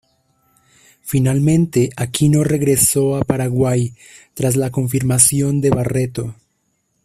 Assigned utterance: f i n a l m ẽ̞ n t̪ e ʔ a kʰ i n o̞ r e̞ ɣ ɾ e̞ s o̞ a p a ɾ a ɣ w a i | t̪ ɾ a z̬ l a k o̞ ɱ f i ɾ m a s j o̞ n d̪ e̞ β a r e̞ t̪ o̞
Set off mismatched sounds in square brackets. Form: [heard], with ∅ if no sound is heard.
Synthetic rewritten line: f i n a l m ẽ̞ n t̪ e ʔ a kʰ i n o̞ r e̞ ɣ ɾ e̞ s o̞ a p a ɾ a ɣ w a [j] | t̪ ɾ a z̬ l a k o̞ ɱ f i ɾ m a s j o̞ n d̪ e̞ β a r e̞ t̪ o̞